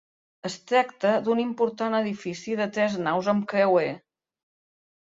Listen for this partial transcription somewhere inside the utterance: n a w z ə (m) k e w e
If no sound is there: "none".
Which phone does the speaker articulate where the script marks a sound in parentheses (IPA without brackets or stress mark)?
m